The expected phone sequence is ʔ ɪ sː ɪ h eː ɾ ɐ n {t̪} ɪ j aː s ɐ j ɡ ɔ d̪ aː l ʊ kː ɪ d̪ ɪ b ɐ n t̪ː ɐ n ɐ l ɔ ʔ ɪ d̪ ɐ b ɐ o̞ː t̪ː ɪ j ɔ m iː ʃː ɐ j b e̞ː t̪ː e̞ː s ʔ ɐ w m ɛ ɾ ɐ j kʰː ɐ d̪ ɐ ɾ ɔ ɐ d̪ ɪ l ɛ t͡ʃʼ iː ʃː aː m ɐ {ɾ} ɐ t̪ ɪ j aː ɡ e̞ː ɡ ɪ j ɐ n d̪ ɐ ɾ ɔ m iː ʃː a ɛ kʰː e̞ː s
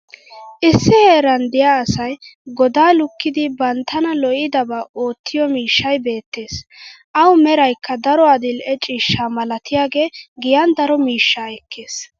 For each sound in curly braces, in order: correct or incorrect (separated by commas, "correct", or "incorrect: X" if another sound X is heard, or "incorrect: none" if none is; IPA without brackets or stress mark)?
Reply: incorrect: d̪, incorrect: l